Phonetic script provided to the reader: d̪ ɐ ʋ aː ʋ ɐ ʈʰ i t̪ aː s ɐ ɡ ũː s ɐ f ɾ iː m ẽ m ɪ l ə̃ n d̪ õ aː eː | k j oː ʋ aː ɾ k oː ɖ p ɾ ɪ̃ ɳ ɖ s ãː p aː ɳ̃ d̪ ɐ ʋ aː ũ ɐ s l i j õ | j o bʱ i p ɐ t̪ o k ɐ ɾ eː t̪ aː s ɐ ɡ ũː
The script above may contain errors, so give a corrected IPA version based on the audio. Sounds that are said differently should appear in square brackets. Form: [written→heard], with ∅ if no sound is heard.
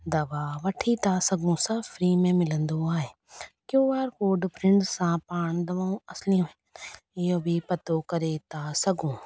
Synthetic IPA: d̪ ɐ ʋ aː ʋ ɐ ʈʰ i t̪ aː s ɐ ɡ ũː s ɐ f ɾ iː m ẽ m ɪ l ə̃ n d̪ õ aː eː | k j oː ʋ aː ɾ k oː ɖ p ɾ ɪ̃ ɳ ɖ s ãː p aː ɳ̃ d̪ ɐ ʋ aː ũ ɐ s l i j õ | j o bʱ i p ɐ t̪ o k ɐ ɾ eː t̪ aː s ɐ ɡ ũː